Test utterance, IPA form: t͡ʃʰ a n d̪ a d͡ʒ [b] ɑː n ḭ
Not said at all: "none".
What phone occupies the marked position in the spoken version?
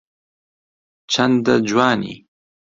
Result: w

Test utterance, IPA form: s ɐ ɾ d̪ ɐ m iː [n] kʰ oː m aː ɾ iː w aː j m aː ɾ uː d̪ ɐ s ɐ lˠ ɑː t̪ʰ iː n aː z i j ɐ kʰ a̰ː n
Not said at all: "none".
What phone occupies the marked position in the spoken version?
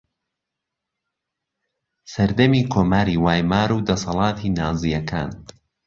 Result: none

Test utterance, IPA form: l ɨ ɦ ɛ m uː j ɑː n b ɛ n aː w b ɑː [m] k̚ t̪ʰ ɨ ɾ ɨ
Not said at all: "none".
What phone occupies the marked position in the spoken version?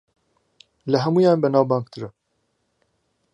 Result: ŋ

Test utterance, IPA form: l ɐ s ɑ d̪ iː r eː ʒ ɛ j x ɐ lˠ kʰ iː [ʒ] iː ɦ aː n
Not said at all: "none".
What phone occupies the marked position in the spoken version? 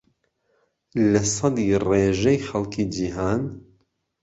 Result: d͡ʒ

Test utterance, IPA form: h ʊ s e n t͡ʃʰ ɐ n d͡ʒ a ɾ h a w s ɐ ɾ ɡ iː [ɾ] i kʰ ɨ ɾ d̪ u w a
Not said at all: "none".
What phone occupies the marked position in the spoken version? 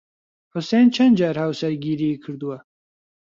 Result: ɾ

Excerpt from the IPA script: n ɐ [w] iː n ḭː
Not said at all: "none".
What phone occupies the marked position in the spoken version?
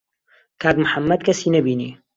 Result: b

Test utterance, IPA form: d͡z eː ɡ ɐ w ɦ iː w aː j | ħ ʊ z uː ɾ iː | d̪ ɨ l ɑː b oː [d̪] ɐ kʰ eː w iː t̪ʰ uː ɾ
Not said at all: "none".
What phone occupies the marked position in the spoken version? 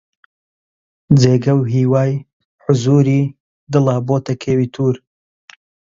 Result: t̪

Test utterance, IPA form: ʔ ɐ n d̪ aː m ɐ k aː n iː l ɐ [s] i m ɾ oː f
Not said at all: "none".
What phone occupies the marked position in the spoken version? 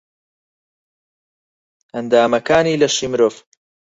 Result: ʃ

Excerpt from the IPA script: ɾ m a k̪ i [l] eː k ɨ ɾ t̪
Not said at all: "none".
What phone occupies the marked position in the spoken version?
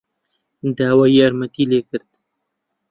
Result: l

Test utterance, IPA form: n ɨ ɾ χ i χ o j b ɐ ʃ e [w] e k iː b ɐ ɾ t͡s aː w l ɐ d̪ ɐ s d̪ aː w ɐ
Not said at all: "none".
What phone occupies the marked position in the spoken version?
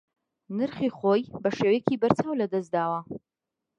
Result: w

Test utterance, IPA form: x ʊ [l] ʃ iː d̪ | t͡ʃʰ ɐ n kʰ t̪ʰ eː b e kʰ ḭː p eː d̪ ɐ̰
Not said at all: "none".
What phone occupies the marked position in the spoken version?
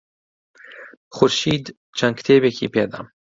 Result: ɾ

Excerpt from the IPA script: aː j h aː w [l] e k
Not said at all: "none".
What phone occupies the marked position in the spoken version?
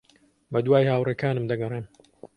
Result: r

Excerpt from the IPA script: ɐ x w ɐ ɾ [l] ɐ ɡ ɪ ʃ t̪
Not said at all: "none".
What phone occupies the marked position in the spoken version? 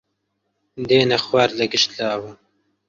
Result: l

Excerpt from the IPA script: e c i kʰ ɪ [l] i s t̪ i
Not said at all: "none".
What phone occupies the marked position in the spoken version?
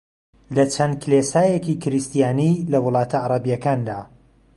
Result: ɾ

